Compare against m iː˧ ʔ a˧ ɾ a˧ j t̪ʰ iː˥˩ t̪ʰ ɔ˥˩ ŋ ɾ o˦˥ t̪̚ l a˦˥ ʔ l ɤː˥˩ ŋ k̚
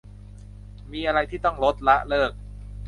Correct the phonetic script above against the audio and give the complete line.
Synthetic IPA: m iː˧ ʔ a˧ ɾ a˧ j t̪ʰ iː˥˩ t̪ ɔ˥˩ ŋ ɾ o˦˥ t̪̚ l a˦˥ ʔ l ɤː˥˩ k̚